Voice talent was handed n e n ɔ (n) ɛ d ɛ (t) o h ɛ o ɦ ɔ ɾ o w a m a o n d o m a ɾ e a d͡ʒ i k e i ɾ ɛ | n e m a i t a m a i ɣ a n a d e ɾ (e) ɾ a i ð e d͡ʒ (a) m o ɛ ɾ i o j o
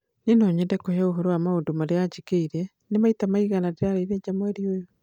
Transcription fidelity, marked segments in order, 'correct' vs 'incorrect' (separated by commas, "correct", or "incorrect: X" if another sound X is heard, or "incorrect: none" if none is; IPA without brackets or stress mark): incorrect: ɲ, incorrect: k, incorrect: a, correct